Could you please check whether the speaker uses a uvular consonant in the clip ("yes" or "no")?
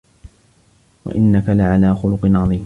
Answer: yes